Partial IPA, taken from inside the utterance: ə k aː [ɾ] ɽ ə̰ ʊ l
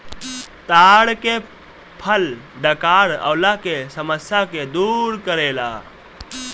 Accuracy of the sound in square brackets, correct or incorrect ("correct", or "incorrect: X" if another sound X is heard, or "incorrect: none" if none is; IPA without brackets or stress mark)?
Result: incorrect: none